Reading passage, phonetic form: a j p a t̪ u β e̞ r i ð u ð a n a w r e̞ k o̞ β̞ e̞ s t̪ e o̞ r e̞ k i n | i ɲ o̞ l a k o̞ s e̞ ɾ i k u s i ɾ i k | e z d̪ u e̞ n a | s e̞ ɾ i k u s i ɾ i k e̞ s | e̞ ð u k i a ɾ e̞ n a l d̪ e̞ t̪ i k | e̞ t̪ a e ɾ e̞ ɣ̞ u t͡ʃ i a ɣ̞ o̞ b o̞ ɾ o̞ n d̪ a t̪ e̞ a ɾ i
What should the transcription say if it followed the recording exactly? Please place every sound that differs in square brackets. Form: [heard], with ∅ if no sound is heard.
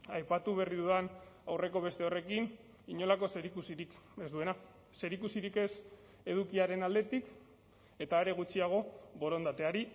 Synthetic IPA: a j p a t̪ u β e̞ r i ð u ð a n a w r e̞ k o̞ β̞ e̞ s t̪ e o̞ r e̞ k i n | i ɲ o̞ l a k o̞ s e̞ ɾ i k u s i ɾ i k | e z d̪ u e̞ n a | s e̞ ɾ i k u s i ɾ i k e̞ s | e̞ ð u k i a ɾ e̞ n a l d̪ e̞ t̪ i k | e̞ t̪ a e ɾ e̞ ɣ̞ u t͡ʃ i a ɣ̞ o̞ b o̞ ɾ o̞ n d̪ a t̪ e̞ a ɾ i